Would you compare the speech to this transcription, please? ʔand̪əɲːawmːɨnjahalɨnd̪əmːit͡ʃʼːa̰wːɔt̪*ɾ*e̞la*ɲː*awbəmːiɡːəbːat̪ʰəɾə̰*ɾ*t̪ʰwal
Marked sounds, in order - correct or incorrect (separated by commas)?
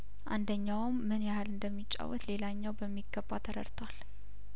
incorrect, correct, correct